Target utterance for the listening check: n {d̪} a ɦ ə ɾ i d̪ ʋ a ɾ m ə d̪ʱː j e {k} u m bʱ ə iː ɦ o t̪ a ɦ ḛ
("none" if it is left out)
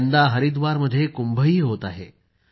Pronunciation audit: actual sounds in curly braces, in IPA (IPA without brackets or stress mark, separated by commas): d̪, k